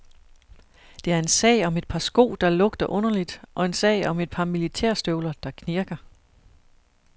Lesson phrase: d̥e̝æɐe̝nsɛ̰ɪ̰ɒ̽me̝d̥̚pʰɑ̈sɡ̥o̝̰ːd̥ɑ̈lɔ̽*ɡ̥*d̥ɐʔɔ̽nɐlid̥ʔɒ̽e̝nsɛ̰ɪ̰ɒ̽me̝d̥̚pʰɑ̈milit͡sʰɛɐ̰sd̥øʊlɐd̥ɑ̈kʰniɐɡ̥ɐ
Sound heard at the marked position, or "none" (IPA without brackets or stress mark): ɡ̥